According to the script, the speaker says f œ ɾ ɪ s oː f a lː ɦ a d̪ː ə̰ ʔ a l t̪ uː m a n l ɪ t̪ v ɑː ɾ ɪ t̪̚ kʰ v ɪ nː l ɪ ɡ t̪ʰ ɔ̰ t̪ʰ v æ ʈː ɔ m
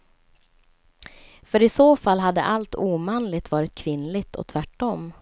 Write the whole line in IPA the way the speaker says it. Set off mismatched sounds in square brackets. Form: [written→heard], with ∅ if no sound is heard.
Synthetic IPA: f œ ɾ ɪ s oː f a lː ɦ a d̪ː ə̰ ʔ a l t̪ uː m a n l ɪ t̪ v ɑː ɾ ɪ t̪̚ kʰ v ɪ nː l ɪ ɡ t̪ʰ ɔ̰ t̪ʰ v æ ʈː ɔ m